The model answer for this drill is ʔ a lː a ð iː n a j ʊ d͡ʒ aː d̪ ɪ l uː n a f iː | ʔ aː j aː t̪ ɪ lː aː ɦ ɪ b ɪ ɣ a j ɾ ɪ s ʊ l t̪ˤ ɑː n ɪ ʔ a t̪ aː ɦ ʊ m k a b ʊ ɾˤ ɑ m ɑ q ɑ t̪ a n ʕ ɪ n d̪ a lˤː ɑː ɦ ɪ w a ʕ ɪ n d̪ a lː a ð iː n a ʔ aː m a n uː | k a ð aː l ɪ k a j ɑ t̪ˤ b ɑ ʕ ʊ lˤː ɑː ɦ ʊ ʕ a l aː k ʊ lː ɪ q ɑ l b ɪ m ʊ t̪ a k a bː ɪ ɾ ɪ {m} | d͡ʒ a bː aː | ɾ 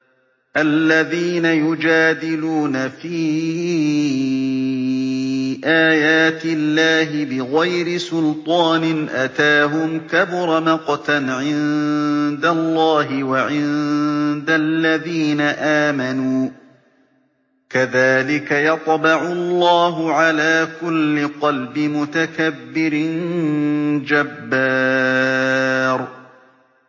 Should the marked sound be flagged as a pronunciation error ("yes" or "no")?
yes